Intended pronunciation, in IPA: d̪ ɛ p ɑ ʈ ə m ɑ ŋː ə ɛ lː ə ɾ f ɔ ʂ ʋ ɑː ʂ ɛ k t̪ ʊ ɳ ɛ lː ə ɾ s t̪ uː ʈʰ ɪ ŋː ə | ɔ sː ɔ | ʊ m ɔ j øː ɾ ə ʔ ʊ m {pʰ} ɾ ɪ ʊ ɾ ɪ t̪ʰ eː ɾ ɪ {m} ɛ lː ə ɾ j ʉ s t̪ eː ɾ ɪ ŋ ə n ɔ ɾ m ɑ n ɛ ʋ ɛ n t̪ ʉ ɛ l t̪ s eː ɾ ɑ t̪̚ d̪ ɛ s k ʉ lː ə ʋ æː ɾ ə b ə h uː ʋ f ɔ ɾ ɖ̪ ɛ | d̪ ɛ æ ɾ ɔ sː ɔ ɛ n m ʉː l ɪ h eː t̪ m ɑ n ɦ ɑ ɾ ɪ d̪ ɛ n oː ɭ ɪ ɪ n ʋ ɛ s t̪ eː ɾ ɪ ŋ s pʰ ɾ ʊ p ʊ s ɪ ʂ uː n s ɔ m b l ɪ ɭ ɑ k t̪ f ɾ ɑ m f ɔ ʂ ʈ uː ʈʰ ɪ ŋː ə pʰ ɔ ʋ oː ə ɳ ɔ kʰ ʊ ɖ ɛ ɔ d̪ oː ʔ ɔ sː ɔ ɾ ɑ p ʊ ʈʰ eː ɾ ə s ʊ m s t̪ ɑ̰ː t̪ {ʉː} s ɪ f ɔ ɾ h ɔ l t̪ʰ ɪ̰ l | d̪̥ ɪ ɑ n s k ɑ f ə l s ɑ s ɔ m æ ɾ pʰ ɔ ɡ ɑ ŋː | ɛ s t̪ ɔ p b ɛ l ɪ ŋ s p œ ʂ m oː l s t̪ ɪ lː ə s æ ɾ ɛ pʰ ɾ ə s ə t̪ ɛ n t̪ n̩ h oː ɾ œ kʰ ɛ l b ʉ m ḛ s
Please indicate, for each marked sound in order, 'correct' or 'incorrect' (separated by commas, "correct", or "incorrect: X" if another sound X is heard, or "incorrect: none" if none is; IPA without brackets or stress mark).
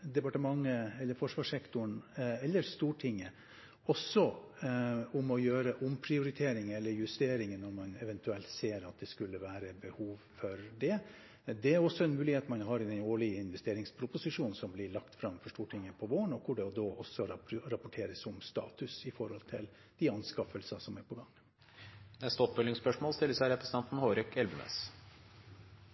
correct, incorrect: ŋ, incorrect: ʉ